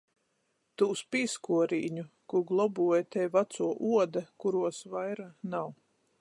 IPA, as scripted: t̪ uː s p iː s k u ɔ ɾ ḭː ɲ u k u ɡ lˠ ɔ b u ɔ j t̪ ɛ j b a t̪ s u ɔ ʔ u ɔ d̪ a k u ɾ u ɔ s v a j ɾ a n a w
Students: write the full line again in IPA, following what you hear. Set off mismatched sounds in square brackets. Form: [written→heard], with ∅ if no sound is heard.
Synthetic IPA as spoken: t̪ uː s p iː s k u ɔ ɾ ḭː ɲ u k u ɡ lˠ ɔ b u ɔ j t̪ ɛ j [b→v] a t̪ s u ɔ ʔ u ɔ d̪ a k u ɾ u ɔ s v a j ɾ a n a w